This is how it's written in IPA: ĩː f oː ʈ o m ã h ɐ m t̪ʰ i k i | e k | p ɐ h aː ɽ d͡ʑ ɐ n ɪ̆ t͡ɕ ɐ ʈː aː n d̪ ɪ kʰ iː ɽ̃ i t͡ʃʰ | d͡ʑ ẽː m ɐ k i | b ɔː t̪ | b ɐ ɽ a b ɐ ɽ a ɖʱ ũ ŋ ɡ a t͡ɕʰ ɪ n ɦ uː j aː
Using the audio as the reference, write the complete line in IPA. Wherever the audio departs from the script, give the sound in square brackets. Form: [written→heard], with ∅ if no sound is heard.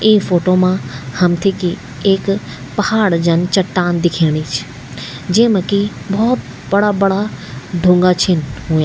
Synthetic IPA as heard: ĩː f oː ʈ o m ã h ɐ m t̪ʰ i k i | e k | p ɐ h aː ɽ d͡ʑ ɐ n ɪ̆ t͡ɕ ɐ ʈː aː n d̪ ɪ kʰ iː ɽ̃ i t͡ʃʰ | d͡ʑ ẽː m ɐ k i | b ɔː t̪ | b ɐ ɽ a b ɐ ɽ a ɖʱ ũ ŋ ɡ a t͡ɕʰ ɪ n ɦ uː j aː